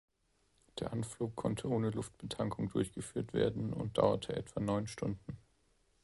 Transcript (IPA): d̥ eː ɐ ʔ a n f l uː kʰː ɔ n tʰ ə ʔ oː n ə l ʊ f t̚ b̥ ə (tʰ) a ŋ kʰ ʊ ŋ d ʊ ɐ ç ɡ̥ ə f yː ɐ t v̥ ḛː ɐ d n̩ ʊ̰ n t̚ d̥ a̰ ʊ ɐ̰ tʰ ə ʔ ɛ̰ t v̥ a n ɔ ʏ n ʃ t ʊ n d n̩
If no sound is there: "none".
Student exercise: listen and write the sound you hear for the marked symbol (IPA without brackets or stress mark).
tʰ